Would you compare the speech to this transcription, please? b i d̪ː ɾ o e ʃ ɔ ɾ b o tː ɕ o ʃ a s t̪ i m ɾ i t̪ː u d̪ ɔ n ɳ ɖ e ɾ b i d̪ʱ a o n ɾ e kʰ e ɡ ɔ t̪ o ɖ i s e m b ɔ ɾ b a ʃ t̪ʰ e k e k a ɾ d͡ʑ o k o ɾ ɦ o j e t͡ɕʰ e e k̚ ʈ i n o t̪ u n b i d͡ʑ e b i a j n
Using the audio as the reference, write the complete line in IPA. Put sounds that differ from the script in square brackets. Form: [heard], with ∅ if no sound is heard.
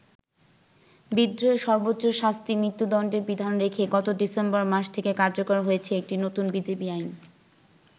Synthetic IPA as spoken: b i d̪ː ɾ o e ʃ ɔ ɾ b o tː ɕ o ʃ a s t̪ i m ɾ i t̪ː u d̪ ɔ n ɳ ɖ e ɾ b i d̪ʱ a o n ɾ e kʰ e ɡ ɔ t̪ o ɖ i s e m b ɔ ɾ [m] a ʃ t̪ʰ e k e k a ɾ d͡ʑ o k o ɾ ɦ o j e t͡ɕʰ e e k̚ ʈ i n o t̪ u n b i d͡ʑ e b i a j n